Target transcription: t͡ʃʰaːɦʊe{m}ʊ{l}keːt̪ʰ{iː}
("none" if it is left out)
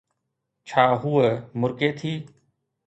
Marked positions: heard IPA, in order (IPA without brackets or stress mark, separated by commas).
m, ɾ, iː